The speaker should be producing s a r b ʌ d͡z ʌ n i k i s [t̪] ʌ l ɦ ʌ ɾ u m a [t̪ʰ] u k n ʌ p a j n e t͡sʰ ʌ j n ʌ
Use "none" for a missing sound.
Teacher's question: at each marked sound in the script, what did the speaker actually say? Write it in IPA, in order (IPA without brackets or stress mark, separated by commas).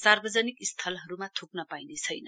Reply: t̪ʰ, t̪ʰ